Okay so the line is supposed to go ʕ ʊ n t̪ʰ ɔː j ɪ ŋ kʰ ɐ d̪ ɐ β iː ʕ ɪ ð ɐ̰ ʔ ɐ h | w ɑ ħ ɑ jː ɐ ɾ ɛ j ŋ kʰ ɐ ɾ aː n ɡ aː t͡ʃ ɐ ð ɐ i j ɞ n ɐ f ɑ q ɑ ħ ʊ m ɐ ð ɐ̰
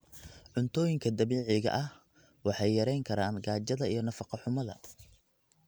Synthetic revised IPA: ʕ ʊ n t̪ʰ ɔː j ɪ ŋ kʰ ɐ d̪ ɐ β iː ʕ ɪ ɣ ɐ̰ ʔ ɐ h | w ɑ ħ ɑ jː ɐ ɾ ɛ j ŋ kʰ ɐ ɾ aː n ɡ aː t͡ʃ ɐ ð ɐ i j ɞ n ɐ f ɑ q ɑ ħ ʊ m ɐ ð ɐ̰